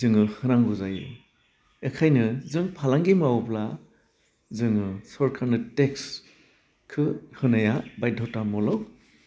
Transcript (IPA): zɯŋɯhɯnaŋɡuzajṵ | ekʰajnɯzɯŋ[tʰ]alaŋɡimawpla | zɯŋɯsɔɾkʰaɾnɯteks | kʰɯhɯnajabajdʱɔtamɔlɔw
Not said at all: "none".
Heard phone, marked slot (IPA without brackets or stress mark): pʰ